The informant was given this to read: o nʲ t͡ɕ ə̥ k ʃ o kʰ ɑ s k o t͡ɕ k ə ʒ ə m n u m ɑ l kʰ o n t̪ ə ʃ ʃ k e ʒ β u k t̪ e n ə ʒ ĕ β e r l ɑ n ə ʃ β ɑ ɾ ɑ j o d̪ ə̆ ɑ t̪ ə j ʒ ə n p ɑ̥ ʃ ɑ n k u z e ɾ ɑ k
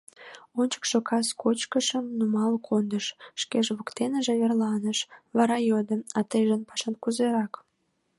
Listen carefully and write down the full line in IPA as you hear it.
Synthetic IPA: o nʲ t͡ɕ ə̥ k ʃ o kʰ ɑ s k o t͡ɕ k ə ʃ ə m n u m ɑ l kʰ o n d̪ ə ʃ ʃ k e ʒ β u k t̪ e n ə ʒ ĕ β e r l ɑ n ə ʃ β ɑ ɾ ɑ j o d̪ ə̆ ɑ t̪ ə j ʒ ə n p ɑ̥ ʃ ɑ n k u z e ɾ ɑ k